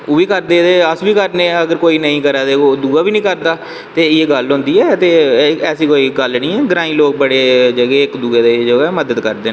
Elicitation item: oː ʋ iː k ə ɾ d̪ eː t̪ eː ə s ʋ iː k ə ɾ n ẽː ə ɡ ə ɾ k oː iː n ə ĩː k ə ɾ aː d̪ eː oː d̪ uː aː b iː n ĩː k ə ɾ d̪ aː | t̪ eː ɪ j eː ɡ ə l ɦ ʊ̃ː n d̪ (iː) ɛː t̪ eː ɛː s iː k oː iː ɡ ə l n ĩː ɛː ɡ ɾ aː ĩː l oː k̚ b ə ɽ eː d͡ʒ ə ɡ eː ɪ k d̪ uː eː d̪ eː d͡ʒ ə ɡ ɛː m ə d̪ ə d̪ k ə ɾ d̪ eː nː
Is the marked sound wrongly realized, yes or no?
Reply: no